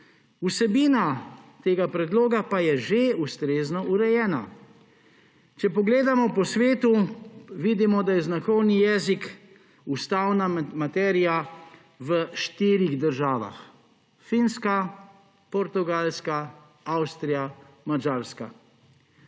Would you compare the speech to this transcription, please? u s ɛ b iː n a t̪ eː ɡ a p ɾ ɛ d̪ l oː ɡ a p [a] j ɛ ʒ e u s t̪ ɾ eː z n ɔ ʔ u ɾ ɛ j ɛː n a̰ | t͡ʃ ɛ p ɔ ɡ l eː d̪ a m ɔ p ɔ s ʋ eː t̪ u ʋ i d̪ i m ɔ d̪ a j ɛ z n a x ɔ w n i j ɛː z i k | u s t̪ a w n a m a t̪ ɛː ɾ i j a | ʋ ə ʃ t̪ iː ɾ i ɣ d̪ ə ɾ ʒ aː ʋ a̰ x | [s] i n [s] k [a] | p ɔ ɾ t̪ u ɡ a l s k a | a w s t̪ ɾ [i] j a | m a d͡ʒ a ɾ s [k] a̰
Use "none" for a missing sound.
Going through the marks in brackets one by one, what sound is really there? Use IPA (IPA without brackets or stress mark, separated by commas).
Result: a, f, s, a, i, k